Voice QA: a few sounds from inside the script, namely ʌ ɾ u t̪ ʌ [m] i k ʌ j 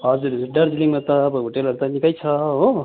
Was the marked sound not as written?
yes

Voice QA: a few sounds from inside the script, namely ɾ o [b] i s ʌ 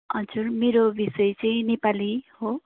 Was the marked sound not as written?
no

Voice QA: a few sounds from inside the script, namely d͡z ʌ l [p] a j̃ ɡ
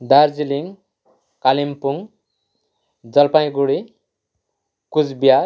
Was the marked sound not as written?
no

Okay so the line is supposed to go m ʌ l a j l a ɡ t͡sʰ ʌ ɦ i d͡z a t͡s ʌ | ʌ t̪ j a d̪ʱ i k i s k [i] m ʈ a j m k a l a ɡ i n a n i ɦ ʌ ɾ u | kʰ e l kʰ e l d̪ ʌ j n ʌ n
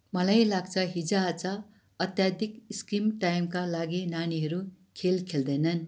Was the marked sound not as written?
no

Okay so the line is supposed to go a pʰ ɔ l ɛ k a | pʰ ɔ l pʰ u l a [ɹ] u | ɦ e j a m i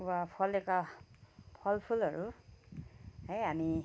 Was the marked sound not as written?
no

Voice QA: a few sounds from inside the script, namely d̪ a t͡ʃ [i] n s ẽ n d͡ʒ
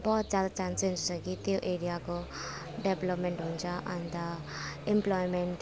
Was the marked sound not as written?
yes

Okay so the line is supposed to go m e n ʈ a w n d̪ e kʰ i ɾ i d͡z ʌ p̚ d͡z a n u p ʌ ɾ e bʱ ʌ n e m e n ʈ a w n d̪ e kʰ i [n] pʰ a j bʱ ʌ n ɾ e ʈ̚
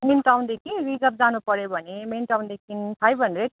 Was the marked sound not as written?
no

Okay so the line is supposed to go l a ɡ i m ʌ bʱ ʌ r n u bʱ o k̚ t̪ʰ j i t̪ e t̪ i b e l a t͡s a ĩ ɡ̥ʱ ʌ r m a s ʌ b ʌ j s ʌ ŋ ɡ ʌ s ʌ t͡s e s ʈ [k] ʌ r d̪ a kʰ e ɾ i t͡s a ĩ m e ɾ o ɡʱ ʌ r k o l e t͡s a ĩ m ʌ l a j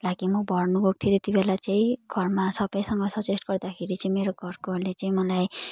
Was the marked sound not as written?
yes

